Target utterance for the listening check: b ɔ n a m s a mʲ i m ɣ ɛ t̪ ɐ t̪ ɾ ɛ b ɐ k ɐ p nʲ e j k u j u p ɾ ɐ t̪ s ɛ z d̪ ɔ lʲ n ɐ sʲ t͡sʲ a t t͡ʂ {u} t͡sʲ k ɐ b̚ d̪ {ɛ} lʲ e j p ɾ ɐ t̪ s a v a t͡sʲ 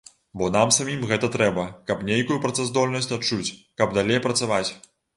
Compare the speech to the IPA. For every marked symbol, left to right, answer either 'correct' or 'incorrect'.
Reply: correct, incorrect: a

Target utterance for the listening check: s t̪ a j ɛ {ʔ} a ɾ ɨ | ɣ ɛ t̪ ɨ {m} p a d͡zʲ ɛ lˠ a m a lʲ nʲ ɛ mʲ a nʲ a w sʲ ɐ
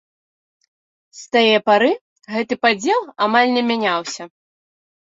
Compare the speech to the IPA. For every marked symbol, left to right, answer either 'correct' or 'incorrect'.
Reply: incorrect: p, incorrect: none

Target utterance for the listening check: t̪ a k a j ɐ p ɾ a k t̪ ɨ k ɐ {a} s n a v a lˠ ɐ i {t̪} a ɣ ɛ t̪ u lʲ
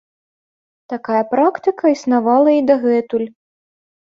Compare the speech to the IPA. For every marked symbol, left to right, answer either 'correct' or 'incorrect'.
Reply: incorrect: i, incorrect: d̪

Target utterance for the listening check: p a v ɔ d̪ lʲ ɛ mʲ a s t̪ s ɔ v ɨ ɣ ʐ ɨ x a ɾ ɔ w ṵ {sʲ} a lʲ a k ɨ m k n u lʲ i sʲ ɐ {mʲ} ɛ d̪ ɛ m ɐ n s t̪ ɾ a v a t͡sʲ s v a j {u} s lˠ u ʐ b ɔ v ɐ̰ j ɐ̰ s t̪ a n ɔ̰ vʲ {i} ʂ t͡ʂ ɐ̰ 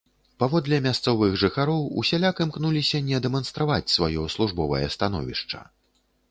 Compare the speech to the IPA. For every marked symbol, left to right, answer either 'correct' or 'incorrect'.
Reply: correct, incorrect: nʲ, incorrect: ɔ, correct

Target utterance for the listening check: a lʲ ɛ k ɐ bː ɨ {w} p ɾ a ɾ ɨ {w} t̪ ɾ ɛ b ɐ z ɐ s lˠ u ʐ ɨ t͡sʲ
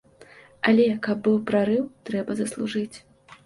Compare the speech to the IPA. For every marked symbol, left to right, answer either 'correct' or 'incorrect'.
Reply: correct, correct

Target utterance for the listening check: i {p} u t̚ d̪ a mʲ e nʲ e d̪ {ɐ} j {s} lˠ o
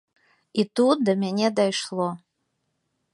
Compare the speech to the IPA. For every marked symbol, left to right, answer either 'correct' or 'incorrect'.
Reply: incorrect: t, incorrect: a, incorrect: ʂ

